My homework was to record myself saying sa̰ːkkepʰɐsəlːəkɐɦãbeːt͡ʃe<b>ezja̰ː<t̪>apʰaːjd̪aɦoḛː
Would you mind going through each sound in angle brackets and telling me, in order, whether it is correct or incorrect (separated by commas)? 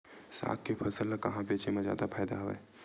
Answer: incorrect, incorrect